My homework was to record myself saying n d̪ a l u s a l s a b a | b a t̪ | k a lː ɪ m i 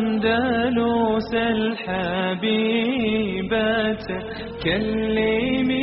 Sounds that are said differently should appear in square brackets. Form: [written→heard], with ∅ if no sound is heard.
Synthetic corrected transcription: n d̪ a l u s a l [s→ħ] a b [a→i] | b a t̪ | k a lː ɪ m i